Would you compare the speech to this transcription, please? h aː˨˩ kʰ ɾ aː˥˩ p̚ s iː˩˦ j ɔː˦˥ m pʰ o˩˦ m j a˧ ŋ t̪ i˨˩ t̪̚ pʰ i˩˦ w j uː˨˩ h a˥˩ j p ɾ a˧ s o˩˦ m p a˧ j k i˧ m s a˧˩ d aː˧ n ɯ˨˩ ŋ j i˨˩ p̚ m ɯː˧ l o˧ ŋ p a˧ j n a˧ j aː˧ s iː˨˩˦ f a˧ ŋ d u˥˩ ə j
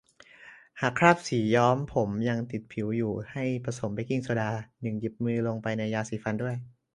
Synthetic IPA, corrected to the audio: h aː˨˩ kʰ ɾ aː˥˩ p̚ s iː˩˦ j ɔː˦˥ m pʰ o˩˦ m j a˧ ŋ t̪ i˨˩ t̪̚ pʰ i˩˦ w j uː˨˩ h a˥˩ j p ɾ a˧ s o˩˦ m p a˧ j k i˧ ŋ s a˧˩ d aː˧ n ɯ˨˩ ŋ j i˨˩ p̚ m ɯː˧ l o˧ ŋ p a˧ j n a˧ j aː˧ s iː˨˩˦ f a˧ n d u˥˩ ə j